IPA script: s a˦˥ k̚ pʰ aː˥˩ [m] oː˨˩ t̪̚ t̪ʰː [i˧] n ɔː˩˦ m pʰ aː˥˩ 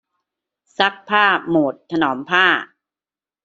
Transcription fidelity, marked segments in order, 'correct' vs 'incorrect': correct, incorrect: a˧

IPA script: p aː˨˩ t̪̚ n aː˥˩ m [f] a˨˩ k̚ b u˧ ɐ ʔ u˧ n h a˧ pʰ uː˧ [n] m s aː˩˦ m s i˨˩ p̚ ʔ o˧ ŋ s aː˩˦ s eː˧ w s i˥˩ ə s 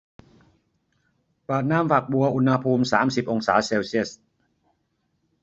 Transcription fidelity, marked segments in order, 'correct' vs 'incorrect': correct, incorrect: none

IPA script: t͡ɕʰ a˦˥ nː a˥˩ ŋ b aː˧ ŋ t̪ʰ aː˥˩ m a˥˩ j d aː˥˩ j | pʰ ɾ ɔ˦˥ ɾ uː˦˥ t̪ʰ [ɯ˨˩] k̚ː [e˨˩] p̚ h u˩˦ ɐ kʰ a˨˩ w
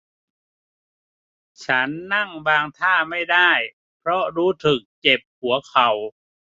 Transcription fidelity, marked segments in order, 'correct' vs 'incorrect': correct, correct

